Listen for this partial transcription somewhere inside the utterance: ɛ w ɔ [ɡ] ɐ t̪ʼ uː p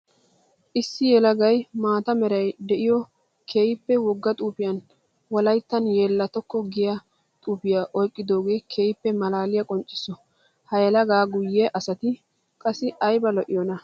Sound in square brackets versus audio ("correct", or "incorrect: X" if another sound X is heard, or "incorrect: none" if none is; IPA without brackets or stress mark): incorrect: ɡː